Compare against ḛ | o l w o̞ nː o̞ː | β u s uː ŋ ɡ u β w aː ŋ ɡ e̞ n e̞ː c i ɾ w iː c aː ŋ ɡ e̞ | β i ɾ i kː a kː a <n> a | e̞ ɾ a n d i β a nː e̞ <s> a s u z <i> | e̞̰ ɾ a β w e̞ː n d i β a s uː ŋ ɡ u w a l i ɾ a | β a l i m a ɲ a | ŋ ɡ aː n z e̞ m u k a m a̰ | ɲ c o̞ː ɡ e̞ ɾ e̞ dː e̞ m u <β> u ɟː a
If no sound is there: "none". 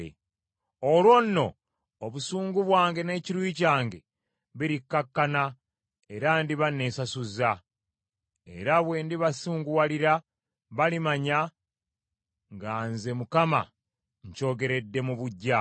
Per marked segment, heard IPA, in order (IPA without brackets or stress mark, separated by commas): n, s, a, β